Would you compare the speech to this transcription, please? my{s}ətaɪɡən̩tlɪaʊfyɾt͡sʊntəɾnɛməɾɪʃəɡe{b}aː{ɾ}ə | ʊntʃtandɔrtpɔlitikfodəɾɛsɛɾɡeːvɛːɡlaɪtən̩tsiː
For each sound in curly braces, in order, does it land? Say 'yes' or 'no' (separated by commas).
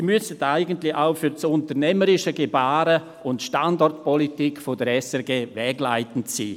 yes, yes, yes